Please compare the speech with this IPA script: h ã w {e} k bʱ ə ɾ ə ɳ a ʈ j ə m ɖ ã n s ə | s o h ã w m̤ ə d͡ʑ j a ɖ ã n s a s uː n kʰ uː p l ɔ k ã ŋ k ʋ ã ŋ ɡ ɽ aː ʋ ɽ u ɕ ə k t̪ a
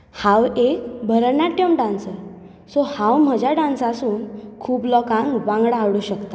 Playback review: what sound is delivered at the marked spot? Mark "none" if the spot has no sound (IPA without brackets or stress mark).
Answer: e